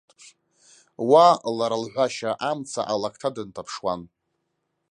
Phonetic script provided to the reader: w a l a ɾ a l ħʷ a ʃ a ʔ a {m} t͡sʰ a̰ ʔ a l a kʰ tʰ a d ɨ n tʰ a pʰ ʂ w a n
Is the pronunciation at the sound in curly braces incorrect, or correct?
correct